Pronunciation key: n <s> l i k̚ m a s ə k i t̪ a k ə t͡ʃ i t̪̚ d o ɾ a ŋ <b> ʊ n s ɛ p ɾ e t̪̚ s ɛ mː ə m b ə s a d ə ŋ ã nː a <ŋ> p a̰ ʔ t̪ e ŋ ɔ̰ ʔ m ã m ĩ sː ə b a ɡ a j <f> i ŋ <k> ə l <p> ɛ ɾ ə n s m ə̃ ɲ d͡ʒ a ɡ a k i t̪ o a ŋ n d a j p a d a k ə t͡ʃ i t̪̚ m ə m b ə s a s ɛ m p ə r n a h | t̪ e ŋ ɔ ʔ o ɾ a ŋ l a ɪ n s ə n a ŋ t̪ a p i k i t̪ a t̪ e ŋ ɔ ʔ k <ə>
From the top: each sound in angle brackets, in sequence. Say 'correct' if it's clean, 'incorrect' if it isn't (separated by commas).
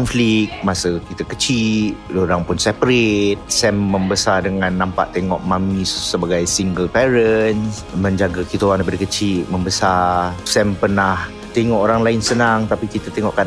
incorrect, incorrect, incorrect, incorrect, incorrect, correct, incorrect